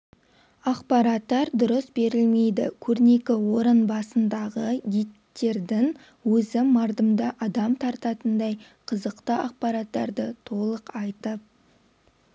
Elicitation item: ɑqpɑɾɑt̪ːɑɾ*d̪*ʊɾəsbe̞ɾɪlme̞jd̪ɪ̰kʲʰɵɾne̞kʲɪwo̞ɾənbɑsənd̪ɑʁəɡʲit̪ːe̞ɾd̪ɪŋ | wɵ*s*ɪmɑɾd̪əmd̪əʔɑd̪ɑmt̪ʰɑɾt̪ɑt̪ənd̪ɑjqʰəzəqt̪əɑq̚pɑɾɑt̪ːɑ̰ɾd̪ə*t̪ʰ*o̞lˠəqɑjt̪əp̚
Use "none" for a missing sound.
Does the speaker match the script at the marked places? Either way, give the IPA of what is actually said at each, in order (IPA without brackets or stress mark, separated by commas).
d̪, z, t̪ʰ